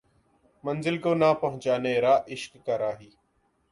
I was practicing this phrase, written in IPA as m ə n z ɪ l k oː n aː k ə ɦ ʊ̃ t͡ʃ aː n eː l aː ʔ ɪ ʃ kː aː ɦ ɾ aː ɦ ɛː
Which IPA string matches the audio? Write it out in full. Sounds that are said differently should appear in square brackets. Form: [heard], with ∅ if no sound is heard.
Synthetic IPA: m ə n z ɪ l k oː n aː [p] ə ɦ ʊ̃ t͡ʃ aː n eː [ɾ] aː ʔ ɪ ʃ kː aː [∅] ɾ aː ɦ [iː]